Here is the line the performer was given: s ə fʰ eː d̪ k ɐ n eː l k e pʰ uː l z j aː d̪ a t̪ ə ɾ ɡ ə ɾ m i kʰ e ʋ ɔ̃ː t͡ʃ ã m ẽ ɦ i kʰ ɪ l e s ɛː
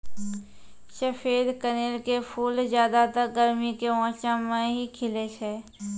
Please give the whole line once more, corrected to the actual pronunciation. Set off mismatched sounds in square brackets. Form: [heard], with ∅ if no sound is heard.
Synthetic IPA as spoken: [ʃ] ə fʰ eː d̪ k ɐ n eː l k e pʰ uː l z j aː d̪ a t̪ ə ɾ ɡ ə ɾ m i [k] e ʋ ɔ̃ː t͡ʃ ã m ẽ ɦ i kʰ ɪ l e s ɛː